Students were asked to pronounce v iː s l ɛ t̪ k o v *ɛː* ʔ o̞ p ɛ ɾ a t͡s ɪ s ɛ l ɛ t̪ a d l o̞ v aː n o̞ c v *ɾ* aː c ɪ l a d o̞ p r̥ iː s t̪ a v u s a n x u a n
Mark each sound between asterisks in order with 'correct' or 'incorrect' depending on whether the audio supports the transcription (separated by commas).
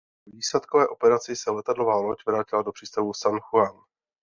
correct, correct